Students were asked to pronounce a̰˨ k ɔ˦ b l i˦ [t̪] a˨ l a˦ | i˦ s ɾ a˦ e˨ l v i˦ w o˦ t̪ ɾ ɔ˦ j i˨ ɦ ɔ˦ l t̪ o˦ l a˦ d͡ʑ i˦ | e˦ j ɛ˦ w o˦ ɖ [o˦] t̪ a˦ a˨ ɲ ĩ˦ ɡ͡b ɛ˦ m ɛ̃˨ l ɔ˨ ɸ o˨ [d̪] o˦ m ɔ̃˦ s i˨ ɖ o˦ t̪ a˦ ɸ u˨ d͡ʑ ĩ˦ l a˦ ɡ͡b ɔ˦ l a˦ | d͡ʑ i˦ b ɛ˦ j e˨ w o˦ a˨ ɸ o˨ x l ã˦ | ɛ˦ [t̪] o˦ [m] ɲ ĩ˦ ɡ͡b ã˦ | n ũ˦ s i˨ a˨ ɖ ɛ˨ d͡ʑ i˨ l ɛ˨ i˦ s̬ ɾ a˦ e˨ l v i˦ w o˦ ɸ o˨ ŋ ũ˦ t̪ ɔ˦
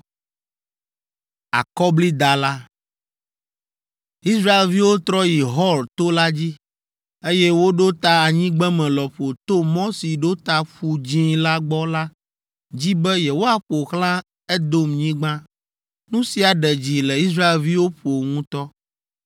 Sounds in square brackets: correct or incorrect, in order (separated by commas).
incorrect, correct, incorrect, incorrect, correct